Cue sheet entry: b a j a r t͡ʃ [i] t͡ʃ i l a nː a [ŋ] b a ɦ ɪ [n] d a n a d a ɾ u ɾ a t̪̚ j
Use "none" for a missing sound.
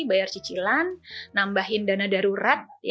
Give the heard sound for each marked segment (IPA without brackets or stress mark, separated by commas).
i, m, n